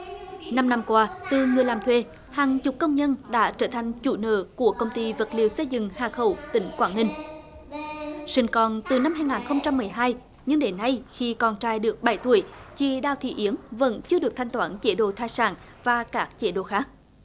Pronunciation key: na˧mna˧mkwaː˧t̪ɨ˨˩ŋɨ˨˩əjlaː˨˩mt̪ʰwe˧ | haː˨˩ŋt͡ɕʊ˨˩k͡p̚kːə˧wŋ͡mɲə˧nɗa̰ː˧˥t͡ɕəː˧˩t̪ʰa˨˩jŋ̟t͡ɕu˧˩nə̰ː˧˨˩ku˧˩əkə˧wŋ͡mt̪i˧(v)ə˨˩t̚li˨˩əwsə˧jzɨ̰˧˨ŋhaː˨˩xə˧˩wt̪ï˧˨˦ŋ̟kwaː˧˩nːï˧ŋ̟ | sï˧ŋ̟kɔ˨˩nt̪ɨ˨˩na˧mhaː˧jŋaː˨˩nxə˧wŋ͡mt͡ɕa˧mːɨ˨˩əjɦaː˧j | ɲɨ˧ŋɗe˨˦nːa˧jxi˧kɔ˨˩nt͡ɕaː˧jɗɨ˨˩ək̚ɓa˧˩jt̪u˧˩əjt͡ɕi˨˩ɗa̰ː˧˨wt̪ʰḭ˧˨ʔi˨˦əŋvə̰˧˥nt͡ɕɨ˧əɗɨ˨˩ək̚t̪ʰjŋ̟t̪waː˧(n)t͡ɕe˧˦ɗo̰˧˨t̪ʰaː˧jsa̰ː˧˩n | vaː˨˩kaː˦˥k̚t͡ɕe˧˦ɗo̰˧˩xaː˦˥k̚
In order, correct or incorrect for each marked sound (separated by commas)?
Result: correct, correct